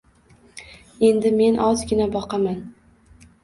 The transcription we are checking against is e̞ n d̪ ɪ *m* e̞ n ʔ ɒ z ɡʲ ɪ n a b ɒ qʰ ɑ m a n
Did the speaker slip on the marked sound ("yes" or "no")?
no